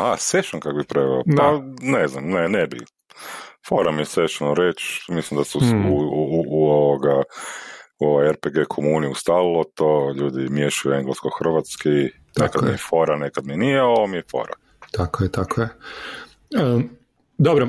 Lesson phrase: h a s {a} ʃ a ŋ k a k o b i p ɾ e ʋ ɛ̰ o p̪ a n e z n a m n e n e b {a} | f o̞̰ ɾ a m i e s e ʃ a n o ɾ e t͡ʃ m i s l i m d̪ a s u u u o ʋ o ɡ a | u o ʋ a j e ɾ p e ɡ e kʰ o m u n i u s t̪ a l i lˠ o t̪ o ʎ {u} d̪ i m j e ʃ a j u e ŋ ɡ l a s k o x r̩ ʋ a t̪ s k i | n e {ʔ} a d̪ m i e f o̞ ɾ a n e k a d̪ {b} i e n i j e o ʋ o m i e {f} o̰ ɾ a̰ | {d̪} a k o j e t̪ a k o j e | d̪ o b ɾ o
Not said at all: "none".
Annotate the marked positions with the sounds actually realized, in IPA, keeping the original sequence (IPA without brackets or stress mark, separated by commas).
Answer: e, i, uː, k, m, f, t̪